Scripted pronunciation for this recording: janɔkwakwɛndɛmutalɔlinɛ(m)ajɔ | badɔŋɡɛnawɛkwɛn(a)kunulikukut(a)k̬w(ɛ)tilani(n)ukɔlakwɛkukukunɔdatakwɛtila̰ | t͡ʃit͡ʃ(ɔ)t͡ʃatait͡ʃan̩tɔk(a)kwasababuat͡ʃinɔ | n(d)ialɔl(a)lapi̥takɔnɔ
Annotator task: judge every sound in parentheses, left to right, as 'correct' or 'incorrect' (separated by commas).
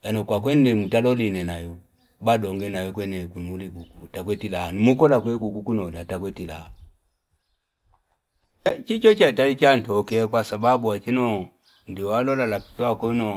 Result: incorrect, incorrect, correct, correct, incorrect, correct, incorrect, correct, correct